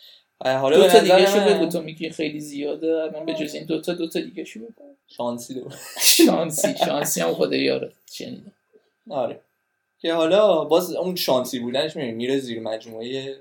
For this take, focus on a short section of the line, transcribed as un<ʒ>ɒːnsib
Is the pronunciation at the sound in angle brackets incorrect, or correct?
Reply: incorrect